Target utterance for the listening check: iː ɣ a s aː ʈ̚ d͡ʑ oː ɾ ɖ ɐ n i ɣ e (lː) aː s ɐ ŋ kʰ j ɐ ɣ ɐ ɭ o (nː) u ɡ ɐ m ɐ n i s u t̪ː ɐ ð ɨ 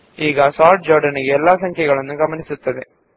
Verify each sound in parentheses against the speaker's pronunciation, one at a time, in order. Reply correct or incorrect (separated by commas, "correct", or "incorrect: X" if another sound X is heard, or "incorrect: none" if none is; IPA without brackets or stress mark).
correct, correct